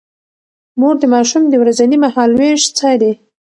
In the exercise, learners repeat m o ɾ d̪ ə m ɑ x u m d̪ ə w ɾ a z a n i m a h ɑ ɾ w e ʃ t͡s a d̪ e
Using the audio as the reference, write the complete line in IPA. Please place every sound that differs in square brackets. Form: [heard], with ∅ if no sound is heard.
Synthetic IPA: m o ɾ d̪ ə m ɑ [ʃ] u m d̪ ə w ɾ a z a n i m a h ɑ [l] w e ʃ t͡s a d̪ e